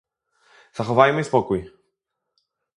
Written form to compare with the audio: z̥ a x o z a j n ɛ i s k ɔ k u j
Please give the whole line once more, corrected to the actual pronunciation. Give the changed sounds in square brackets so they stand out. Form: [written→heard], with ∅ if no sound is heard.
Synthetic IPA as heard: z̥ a x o [z→v] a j [n→m] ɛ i s [k→p] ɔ k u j